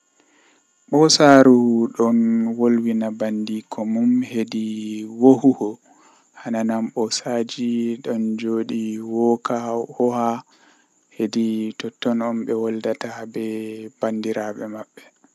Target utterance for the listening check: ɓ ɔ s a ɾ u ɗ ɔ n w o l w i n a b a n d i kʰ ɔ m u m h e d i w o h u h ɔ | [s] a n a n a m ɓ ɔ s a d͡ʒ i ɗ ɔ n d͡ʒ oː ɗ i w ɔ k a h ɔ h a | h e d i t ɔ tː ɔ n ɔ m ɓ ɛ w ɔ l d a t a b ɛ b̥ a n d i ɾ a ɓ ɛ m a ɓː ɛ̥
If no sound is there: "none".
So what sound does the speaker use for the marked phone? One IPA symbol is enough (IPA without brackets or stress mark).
h